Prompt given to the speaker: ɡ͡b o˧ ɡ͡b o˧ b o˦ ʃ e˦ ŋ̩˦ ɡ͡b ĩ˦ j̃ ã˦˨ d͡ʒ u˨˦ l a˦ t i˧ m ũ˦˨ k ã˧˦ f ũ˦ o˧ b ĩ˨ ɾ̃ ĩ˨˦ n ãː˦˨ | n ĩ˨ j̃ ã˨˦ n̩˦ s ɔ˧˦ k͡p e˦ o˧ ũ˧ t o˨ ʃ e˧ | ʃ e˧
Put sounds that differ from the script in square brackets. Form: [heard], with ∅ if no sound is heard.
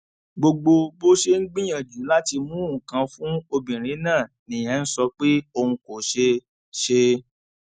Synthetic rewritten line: ɡ͡b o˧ ɡ͡b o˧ b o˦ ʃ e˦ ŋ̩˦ ɡ͡b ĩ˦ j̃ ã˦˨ d͡ʒ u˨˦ l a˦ t i˧ m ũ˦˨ k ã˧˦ f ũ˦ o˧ b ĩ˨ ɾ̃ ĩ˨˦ n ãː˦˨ | n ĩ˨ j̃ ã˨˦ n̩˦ s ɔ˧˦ k͡p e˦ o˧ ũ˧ [k] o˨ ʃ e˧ | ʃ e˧